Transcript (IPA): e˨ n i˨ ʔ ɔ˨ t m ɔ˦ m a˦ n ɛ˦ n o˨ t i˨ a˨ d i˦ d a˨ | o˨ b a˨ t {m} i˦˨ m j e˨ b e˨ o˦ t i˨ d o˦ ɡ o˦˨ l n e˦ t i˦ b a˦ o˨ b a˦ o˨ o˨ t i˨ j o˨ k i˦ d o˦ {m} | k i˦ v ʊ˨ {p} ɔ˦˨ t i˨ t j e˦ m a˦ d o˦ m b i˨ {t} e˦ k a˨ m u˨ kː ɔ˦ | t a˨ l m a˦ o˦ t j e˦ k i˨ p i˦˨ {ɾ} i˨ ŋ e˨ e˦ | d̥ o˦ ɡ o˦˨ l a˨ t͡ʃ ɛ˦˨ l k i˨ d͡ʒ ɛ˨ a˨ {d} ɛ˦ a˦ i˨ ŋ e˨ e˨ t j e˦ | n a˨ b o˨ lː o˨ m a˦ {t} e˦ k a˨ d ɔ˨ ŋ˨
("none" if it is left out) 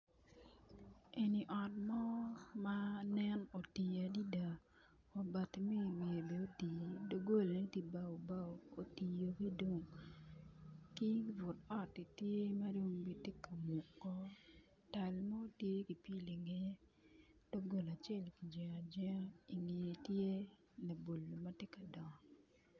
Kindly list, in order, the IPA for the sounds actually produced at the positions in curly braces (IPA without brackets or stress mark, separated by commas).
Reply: m, ŋ, t, t, l, d͡ʒ, t